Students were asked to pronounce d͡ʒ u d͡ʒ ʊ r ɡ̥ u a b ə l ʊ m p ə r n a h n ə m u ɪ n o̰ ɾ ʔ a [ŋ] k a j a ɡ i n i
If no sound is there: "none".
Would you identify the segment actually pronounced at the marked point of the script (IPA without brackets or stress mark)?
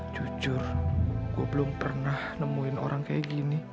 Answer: ŋ